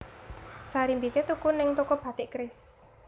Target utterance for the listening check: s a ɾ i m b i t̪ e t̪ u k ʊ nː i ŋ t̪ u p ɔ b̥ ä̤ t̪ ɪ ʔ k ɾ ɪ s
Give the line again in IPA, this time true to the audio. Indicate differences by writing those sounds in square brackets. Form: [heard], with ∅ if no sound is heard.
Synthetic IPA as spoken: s a ɾ i m b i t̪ e t̪ u k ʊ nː [ɪ] ŋ t̪ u [k] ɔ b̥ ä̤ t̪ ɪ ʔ k ɾ ɪ s